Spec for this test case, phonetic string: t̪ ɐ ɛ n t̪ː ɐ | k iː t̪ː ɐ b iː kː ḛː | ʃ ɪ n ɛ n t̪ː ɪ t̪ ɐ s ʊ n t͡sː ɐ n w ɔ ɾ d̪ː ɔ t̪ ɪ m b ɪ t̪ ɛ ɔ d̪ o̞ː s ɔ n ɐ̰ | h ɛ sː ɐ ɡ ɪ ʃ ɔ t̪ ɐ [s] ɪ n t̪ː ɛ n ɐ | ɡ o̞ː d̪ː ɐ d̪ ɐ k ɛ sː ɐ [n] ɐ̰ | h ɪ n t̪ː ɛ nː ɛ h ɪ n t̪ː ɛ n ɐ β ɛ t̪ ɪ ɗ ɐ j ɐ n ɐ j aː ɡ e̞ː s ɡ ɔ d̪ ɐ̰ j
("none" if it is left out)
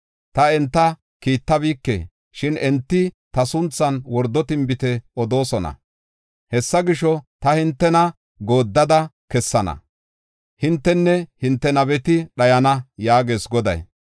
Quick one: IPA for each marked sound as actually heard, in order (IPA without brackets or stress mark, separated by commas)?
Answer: h, n